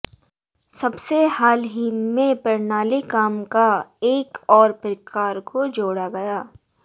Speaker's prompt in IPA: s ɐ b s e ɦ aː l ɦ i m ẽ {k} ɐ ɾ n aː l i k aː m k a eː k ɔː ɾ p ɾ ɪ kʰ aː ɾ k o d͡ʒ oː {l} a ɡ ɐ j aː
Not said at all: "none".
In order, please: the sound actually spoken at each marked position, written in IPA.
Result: p, ɽ

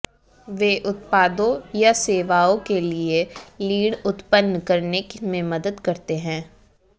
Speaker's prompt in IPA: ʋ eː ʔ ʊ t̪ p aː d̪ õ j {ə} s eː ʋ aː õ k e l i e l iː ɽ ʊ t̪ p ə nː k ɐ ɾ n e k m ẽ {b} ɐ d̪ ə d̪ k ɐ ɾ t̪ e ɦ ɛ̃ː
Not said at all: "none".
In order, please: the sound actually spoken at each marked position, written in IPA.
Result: a, m

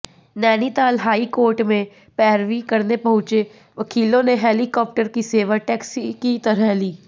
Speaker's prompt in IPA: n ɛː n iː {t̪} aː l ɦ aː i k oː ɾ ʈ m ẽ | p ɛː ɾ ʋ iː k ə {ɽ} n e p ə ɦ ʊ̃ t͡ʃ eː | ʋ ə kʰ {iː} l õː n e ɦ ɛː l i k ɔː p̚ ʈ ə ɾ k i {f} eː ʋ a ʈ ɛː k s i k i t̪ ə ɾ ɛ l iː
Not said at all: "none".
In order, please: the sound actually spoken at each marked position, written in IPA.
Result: t̪, ɾ, iː, s

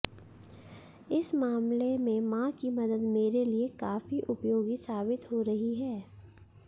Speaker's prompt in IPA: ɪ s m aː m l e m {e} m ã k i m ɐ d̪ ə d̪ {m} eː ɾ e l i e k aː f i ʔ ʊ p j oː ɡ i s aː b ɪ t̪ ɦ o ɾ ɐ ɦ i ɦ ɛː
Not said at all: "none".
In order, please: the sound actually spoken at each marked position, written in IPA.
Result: ẽ, m

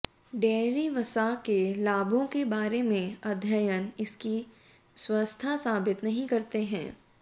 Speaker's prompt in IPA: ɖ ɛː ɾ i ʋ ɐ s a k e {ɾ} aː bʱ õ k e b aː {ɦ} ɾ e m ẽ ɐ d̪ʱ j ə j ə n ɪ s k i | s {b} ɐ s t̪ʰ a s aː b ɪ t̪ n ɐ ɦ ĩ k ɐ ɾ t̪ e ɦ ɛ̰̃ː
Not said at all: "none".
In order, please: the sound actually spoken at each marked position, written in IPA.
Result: l, none, w

